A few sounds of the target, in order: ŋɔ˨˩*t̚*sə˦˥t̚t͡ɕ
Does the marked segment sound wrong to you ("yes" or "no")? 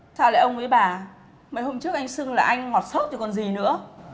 no